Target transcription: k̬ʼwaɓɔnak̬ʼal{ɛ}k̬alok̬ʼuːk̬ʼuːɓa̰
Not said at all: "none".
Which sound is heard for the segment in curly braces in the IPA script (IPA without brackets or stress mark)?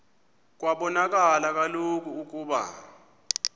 a